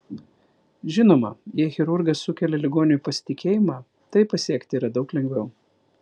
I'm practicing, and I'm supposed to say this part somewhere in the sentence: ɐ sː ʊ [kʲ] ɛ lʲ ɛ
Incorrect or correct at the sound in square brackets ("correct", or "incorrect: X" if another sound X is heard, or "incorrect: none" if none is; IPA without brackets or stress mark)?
correct